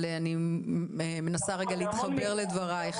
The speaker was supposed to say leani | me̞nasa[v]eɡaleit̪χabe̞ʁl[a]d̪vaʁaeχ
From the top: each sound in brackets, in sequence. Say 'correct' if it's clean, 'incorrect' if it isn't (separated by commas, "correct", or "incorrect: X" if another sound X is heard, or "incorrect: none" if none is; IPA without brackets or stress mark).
incorrect: ʁ, incorrect: e